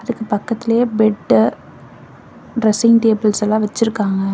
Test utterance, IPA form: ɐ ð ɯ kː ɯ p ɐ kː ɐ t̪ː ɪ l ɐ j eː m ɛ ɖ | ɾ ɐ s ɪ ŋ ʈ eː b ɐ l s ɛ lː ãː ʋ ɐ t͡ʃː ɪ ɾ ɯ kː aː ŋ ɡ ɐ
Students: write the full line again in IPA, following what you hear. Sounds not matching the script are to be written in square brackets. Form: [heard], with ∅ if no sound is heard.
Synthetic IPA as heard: ɐ ð ɯ kː ɯ p ɐ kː ɐ t̪ː ɪ l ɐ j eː [b] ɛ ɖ | ɾ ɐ s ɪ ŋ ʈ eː b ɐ l s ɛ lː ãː ʋ ɐ t͡ʃː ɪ ɾ ɯ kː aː ŋ ɡ ɐ